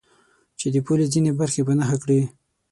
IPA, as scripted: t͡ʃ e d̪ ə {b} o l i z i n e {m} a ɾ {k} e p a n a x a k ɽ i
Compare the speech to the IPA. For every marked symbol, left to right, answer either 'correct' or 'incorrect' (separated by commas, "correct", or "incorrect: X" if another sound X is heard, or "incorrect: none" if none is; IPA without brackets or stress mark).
incorrect: p, incorrect: b, incorrect: x